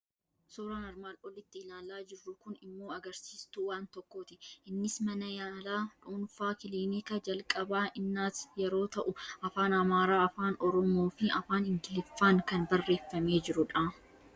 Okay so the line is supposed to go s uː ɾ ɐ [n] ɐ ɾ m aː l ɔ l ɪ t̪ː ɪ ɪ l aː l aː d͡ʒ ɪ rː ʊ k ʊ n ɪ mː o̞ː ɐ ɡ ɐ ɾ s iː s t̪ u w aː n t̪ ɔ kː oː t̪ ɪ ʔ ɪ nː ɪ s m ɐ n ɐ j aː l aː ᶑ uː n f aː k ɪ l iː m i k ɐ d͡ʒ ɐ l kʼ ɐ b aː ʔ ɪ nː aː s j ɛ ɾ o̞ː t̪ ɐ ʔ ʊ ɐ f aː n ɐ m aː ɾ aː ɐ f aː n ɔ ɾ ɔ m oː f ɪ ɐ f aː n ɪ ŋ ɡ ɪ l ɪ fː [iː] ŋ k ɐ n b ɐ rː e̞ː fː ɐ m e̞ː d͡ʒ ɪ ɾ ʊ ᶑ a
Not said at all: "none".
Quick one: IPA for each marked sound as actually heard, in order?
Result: n, aː

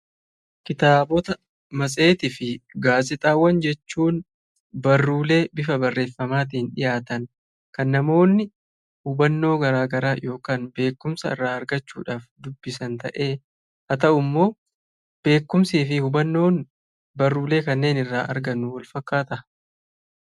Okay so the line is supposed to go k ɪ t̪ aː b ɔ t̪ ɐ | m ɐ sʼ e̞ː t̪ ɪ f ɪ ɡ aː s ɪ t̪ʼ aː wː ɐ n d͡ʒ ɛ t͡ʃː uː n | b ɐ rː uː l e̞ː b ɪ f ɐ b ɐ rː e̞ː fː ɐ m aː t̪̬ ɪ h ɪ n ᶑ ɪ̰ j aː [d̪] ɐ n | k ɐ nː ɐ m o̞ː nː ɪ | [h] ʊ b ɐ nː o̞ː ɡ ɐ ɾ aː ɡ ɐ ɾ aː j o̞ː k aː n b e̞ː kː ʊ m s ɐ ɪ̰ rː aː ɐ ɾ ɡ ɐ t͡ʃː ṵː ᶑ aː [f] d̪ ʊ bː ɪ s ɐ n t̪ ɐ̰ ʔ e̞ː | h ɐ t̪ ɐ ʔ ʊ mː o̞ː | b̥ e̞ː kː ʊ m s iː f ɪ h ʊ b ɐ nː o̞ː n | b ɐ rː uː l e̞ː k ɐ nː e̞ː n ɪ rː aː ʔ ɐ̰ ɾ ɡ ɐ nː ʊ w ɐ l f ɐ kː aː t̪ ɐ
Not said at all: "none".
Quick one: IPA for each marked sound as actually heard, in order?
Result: t̪, h, f

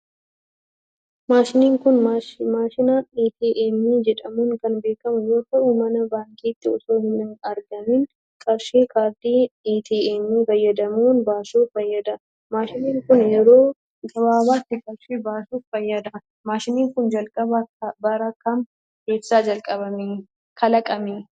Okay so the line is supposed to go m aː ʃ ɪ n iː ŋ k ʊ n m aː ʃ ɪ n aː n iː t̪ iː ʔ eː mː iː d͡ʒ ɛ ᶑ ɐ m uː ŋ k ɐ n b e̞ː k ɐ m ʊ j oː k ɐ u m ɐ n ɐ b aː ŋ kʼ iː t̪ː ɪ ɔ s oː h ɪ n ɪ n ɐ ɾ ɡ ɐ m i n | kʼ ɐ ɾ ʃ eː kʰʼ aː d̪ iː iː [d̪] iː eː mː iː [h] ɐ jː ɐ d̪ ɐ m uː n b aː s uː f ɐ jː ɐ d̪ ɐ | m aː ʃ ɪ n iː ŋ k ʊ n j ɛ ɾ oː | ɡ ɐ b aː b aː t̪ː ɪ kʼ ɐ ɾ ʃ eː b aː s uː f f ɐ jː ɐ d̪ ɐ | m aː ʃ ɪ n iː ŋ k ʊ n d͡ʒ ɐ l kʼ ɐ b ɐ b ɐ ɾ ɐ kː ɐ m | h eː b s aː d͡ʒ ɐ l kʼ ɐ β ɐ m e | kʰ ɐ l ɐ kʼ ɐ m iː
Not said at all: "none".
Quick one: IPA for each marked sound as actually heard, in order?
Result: t̪, f

